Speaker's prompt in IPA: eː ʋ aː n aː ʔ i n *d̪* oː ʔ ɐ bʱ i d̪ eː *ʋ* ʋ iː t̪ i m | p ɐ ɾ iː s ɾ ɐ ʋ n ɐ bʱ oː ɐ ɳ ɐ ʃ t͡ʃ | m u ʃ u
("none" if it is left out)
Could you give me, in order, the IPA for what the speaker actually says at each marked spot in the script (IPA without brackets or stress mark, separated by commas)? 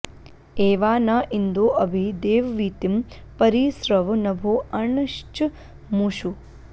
d̪, ʋ